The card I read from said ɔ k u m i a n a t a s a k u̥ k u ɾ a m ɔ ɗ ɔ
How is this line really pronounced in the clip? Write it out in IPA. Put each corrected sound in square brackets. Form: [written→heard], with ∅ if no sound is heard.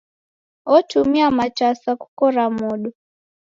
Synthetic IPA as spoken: ɔ [k→t] u m i a [n→m] a [t→t͡ʃ] a s a k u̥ k [u→ɔ] ɾ a m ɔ ɗ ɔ